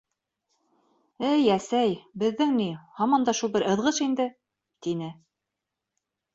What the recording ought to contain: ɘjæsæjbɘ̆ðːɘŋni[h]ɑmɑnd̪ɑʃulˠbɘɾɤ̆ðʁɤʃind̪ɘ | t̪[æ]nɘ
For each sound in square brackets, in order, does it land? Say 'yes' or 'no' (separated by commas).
yes, no